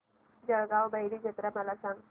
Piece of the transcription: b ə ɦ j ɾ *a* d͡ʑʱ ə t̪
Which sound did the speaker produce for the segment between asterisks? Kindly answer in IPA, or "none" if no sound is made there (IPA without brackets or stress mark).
i